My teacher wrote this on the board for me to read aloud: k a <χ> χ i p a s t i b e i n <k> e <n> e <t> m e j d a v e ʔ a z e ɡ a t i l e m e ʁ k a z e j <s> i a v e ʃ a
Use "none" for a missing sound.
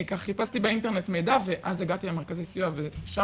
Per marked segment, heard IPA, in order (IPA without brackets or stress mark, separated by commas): χ, t, n, t, s